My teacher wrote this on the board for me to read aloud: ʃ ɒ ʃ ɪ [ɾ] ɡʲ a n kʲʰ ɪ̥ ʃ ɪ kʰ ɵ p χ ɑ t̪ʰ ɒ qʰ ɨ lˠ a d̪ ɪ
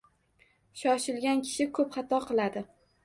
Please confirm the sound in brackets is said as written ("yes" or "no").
no